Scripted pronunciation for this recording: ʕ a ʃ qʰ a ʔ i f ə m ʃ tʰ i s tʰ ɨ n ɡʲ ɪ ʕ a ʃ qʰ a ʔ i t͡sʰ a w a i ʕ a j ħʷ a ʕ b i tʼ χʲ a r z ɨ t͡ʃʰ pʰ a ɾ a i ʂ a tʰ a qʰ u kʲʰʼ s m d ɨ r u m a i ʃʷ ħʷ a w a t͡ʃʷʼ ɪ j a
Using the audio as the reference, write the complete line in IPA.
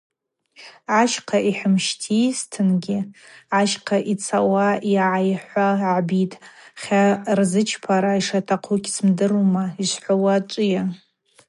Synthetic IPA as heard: ʕ a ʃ qʰ a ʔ i ħ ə m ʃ tʰ i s tʰ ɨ n ɡʲ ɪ ʕ a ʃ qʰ a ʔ i t͡sʰ a w a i ʕ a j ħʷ a ʕ b i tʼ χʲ a r z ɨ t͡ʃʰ pʰ a ɾ a i ʂ a tʰ a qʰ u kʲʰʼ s m d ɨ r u m a i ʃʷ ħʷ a w a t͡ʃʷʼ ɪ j a